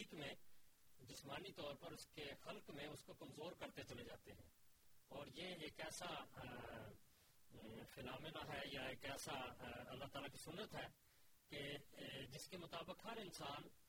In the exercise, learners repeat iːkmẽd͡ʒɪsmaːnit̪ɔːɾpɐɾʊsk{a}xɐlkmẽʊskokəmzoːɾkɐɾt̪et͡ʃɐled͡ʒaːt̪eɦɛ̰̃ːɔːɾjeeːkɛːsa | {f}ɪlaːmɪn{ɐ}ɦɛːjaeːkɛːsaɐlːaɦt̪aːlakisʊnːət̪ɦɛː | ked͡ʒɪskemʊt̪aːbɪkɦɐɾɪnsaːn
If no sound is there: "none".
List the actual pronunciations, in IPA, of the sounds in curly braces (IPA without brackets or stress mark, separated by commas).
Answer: e, f, a